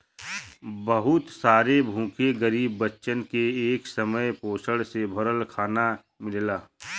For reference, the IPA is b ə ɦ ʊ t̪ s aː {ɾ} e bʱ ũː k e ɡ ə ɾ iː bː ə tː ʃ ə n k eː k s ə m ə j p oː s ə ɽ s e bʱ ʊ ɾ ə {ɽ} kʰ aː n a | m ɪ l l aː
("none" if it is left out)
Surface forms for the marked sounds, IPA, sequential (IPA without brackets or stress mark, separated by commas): ɾ, l